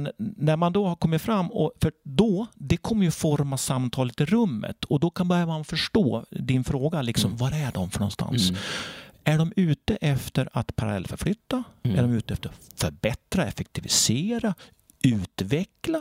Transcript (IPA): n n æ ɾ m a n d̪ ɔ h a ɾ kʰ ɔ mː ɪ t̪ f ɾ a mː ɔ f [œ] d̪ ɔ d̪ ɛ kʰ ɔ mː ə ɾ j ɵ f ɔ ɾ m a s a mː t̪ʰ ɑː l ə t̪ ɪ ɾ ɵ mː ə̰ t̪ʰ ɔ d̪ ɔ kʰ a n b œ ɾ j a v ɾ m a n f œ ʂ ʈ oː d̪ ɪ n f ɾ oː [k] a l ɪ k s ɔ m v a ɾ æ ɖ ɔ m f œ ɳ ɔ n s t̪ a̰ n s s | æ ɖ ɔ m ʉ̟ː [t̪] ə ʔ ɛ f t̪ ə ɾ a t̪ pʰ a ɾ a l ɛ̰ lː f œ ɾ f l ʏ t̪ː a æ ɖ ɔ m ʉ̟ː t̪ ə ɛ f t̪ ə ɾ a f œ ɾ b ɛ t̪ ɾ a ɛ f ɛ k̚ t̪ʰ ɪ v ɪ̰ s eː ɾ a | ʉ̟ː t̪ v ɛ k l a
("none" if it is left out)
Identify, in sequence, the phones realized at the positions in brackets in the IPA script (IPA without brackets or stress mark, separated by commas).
œ, ɡ, t̪